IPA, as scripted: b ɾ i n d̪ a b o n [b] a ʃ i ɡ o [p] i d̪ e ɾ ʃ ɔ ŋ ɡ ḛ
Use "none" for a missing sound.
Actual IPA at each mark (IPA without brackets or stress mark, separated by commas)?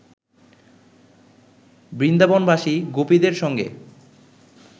b, p